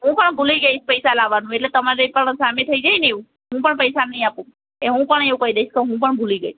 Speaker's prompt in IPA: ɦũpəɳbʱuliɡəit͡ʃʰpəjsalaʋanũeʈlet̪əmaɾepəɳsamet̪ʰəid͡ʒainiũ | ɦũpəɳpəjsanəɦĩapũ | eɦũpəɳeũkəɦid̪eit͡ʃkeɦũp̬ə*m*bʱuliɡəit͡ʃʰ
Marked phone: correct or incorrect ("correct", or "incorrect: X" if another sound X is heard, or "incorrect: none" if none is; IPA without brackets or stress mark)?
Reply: incorrect: ɳ